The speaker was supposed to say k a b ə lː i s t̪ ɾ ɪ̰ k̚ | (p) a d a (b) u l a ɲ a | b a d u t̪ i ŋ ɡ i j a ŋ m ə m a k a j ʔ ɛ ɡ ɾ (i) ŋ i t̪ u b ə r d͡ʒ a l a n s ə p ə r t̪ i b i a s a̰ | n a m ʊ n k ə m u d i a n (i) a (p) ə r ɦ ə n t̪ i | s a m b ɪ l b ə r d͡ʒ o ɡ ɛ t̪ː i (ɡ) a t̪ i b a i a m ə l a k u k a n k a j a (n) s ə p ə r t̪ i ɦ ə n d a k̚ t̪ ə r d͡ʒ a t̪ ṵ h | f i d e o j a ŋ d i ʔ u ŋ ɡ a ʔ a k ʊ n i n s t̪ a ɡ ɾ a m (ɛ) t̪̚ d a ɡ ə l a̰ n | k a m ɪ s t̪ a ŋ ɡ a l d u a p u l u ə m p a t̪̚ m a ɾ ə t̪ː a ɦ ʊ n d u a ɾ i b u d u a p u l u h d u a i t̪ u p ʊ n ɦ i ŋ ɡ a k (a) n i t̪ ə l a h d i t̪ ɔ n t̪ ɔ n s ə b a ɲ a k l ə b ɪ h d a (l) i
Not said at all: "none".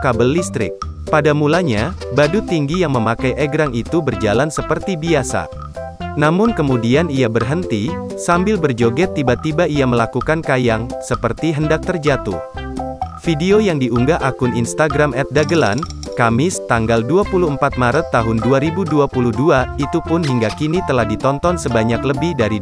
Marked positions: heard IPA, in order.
p, m, a, i, b, b, ŋ, ɛ, i, ɾ

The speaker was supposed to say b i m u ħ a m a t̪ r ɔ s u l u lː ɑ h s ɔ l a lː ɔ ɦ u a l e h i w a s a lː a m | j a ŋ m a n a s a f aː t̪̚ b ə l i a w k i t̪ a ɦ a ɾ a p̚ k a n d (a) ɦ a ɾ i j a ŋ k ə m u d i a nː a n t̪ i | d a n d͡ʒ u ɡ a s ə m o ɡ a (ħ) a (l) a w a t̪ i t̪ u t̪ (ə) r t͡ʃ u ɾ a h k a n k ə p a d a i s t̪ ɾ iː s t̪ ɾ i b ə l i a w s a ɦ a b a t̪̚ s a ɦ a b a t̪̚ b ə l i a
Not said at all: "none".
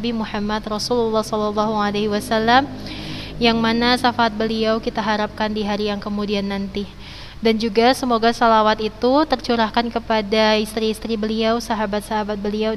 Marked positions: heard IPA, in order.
i, s, l, ə

